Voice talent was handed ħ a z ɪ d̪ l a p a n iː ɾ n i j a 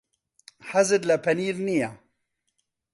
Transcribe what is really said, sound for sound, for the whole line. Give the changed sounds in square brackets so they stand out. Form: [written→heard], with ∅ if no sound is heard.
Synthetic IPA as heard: ħ a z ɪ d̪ l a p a n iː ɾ n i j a